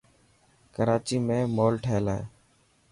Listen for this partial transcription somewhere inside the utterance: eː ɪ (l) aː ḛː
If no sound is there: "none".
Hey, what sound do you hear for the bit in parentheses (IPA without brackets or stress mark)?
l